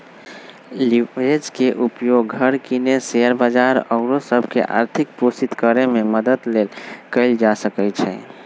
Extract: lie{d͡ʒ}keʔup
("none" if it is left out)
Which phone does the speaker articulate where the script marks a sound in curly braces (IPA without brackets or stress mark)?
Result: d͡ʒ